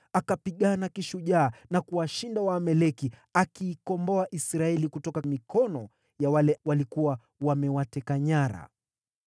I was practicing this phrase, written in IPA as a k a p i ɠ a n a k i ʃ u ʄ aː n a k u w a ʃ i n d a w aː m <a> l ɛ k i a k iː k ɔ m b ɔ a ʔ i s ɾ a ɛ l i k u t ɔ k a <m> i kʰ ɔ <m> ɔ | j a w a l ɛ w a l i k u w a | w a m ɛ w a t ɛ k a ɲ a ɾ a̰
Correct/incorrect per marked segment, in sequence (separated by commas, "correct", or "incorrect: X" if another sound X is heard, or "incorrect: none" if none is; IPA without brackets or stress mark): incorrect: ɛ, correct, incorrect: n